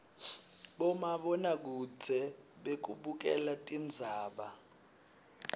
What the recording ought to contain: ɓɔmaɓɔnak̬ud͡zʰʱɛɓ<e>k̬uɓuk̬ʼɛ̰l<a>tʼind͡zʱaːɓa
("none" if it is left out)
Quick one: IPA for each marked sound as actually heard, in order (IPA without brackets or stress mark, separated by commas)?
e, a